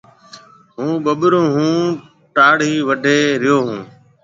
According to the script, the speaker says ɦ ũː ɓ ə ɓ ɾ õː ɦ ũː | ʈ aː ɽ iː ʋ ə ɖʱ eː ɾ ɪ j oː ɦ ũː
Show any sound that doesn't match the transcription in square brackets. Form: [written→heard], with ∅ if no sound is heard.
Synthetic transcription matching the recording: ɦ ũː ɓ ə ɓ ɾ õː ɦ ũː | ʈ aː ɽ iː ʋ ə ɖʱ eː ɾ ɪ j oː ɦ ũː